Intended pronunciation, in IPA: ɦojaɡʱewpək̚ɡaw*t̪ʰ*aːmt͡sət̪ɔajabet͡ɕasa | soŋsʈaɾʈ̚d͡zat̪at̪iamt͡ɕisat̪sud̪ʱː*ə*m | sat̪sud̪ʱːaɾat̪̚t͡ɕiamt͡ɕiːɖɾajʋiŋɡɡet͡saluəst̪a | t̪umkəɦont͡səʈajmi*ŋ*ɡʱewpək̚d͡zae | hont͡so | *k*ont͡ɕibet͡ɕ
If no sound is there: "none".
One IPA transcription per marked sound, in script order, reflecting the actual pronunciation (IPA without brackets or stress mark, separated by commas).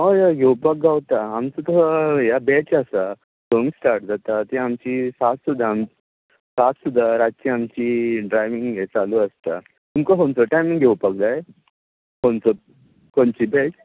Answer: t̪, a, ŋ, k